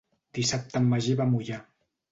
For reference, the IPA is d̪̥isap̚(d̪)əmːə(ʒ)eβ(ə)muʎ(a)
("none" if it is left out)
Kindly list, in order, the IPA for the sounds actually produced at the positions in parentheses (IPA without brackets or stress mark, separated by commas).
t̪, ʒ, a, a